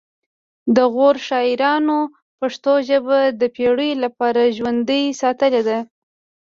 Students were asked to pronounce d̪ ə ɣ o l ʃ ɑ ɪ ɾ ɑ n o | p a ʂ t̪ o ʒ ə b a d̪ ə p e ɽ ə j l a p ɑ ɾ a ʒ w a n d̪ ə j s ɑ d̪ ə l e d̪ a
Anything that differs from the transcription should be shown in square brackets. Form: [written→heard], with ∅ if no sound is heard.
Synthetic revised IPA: d̪ ə ɣ o [l→ɾ] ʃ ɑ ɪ ɾ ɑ n o | p a ʂ t̪ o ʒ ə b a d̪ ə p e ɽ ə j l a p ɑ ɾ a ʒ w a n d̪ ə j s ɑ [d̪→t̪] ə l e d̪ a